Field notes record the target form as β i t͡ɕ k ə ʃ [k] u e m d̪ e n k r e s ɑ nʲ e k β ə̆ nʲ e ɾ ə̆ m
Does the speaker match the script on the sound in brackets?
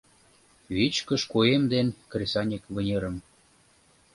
yes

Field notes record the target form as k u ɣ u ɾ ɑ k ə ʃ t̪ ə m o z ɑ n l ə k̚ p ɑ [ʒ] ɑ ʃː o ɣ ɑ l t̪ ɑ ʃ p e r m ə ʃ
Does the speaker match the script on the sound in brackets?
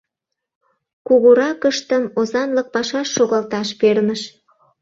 no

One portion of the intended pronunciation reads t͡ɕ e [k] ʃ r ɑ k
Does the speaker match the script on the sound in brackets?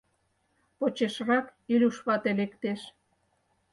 no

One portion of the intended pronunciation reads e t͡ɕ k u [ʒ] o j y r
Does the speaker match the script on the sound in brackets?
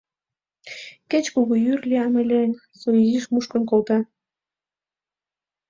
no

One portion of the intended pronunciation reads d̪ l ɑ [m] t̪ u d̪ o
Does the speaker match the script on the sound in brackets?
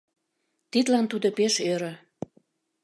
no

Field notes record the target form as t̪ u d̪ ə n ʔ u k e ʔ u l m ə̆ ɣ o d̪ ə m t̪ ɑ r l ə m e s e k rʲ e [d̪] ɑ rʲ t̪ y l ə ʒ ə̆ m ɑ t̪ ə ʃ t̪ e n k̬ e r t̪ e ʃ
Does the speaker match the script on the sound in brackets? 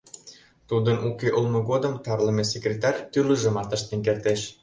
no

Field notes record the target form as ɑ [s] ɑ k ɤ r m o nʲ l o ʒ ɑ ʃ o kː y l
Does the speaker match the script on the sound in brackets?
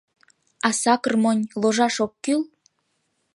yes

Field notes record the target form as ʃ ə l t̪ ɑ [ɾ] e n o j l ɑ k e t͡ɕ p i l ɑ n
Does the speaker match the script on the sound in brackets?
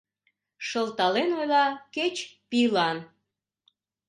no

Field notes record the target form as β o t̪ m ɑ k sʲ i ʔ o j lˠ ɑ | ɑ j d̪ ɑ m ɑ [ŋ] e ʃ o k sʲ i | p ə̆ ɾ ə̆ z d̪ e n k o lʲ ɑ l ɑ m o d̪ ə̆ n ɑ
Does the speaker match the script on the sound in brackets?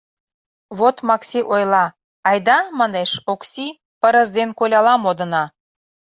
no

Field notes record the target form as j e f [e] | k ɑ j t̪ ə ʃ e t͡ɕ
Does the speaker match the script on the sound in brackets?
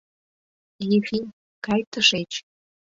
no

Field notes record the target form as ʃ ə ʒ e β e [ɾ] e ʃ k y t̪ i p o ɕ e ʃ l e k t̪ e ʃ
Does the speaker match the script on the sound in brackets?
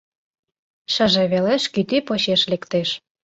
no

